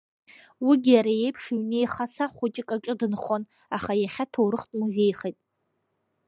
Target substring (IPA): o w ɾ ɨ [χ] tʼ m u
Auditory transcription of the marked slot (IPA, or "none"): χ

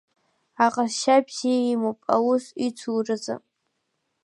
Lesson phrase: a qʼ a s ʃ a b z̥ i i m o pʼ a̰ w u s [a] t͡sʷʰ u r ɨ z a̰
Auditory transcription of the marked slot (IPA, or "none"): i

